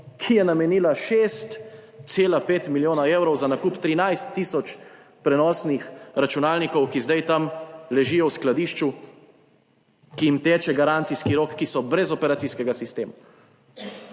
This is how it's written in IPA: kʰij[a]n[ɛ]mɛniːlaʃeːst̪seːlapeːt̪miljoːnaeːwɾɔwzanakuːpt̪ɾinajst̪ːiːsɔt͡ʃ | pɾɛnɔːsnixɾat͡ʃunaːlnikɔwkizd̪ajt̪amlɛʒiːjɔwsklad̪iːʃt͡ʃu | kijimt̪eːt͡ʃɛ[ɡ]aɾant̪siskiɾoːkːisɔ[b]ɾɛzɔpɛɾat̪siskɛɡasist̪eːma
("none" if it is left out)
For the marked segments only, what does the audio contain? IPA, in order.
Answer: ɛ, a, ɡ, b

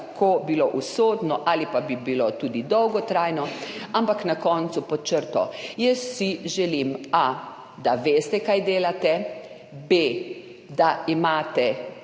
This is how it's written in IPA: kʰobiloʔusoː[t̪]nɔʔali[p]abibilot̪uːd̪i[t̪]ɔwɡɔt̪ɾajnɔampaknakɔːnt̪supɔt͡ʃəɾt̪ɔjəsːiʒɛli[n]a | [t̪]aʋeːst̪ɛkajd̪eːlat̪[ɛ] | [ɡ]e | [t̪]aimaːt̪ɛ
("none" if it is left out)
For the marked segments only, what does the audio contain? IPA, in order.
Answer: d̪, p, d̪, m, d̪, ɛ, b, d̪

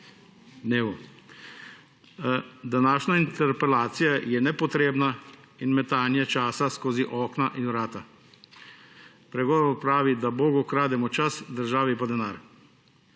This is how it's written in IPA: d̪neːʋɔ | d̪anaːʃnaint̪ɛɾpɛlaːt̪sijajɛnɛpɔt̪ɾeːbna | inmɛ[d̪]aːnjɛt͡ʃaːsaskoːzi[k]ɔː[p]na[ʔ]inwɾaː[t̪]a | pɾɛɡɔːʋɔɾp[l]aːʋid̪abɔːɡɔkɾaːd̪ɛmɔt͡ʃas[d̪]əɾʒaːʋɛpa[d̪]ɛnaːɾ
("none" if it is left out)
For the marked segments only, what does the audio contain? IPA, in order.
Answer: t̪, ʔ, k, ʔ, t̪, ɾ, d̪, d̪

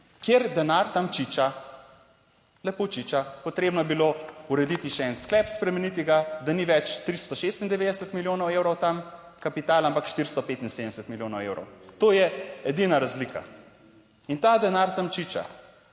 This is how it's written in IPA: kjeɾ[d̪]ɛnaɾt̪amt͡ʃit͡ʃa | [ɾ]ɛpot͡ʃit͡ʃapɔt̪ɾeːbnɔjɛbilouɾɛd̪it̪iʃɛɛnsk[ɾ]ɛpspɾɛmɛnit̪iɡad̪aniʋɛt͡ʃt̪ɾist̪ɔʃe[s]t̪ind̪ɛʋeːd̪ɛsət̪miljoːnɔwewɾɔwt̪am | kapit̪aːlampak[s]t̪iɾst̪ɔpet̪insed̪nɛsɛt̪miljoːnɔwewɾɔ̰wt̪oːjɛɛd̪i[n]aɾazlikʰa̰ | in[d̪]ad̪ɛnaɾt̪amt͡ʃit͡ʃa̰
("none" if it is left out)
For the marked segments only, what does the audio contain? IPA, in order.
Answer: d̪, l, l, s, ʃ, n, t̪

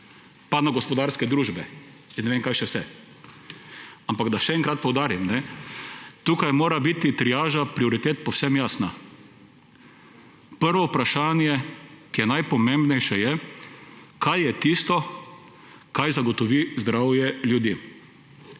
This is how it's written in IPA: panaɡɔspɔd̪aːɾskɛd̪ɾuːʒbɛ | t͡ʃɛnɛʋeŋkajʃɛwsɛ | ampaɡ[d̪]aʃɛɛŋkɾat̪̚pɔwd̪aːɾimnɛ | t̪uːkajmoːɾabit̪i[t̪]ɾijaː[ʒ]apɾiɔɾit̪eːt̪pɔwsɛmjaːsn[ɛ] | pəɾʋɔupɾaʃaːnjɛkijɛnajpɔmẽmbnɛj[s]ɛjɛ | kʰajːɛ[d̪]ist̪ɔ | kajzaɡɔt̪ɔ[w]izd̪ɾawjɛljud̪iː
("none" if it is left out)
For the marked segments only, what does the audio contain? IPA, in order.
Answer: d̪, t̪, ʒ, a, ʃ, t̪, ʋ

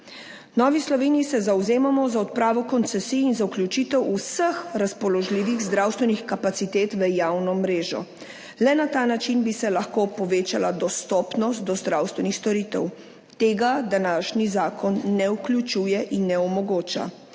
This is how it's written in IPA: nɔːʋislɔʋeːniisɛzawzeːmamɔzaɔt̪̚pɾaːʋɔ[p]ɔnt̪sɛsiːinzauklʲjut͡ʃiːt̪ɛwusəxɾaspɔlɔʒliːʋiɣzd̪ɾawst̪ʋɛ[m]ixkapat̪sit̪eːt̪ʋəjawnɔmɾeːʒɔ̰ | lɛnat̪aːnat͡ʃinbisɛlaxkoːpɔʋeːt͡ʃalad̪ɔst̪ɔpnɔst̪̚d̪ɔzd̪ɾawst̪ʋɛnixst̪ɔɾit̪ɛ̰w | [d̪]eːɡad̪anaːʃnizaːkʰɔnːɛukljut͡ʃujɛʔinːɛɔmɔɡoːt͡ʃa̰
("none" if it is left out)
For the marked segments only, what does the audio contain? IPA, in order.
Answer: k, n, t̪

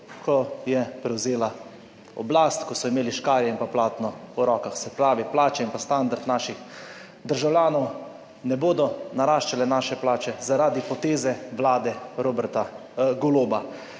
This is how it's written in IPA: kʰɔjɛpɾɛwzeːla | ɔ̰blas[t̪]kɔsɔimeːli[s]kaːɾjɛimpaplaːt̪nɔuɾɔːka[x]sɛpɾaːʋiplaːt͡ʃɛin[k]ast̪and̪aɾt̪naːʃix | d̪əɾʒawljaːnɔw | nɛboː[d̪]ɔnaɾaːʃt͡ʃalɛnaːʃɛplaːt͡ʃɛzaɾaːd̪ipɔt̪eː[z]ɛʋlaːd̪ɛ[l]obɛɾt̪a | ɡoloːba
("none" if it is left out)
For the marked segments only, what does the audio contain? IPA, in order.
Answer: t̪, ʃ, x, p, d̪, z, ɾ

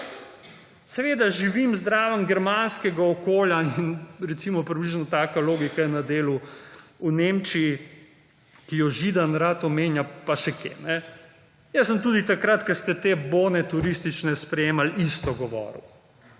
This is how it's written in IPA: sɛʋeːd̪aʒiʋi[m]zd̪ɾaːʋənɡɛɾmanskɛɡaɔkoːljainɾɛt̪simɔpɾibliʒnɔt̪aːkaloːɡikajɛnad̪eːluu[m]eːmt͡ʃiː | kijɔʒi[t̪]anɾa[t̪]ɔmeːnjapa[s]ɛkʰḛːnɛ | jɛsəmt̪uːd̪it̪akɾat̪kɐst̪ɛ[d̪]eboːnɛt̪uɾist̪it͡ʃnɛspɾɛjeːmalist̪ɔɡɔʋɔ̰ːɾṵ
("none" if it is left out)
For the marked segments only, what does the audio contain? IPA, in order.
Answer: m, n, d̪, t̪, ʃ, t̪

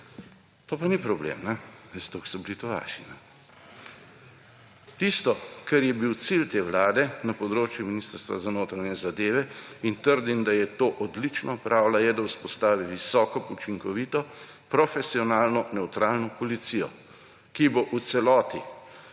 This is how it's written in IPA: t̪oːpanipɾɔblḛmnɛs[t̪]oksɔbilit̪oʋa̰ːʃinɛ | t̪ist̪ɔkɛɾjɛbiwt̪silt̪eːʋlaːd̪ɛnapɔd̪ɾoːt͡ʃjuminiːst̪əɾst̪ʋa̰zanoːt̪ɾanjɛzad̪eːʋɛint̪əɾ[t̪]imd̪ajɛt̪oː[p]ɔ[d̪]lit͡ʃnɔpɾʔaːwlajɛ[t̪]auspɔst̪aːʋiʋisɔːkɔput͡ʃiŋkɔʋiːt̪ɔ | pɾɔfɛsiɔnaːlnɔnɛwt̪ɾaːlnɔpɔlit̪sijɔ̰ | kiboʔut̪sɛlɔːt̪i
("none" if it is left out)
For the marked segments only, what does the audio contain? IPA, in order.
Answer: t̪, d̪, ʔ, d̪, d̪

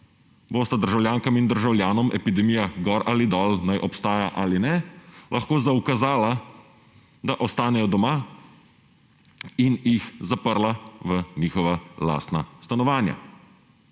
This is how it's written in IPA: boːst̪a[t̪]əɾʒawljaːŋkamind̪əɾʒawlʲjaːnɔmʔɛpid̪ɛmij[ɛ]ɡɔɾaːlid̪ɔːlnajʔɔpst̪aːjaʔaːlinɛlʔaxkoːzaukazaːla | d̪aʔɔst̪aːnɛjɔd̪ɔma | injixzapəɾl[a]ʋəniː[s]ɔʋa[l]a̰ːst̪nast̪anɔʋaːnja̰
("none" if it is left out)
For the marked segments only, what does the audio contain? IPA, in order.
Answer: d̪, a, a, x, l

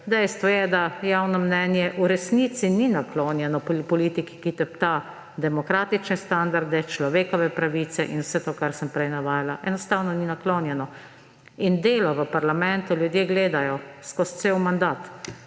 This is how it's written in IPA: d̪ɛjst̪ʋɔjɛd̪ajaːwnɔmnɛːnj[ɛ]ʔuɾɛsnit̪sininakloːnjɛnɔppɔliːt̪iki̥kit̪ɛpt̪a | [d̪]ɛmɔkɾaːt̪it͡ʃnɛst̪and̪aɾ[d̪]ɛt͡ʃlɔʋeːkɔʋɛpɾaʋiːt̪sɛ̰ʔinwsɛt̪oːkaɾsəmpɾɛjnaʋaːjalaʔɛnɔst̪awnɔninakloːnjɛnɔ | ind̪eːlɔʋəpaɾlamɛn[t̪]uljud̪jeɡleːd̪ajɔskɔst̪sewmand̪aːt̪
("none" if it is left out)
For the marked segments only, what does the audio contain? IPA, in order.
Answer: ɛ, d̪, d̪, t̪

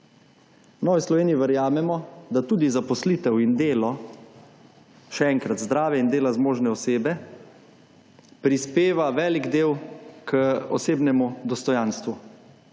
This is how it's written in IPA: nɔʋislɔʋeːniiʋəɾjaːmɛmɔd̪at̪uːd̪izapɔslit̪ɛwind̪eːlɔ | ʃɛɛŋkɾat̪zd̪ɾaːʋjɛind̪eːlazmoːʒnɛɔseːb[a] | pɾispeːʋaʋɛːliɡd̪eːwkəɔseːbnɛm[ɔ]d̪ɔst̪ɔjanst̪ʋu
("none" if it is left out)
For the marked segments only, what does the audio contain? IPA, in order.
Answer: ɛ, u

